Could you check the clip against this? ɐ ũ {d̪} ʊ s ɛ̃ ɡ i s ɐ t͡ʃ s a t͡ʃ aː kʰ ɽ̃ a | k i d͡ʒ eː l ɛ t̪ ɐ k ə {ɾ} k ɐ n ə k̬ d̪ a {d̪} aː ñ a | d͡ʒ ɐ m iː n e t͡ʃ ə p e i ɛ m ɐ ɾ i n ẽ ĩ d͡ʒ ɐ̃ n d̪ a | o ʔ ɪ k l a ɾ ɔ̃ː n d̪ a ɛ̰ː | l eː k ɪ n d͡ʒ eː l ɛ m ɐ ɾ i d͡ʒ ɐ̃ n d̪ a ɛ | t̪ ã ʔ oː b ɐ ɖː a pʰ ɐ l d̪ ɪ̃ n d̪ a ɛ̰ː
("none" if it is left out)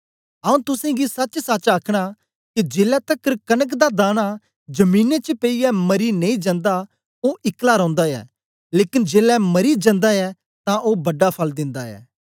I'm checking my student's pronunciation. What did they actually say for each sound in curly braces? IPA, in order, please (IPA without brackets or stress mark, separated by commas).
t̪, ɾ, d̪